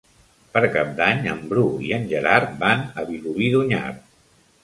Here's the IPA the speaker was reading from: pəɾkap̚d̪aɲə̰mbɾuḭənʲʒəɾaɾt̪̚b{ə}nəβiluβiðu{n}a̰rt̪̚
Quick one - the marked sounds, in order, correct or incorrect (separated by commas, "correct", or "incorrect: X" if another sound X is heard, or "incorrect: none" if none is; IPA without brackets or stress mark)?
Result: incorrect: a, incorrect: ɲ